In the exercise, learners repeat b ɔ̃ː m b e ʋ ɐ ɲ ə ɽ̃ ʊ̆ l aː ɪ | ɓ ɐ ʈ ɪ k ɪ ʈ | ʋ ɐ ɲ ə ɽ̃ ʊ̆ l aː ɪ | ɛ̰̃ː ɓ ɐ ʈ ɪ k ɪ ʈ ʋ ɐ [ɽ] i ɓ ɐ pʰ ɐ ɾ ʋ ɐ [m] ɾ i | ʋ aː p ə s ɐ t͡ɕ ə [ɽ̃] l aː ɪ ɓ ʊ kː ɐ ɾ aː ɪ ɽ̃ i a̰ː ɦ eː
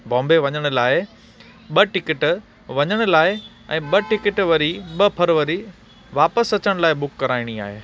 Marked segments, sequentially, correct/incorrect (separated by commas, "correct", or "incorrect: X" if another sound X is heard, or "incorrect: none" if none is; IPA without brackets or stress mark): incorrect: ɾ, incorrect: none, correct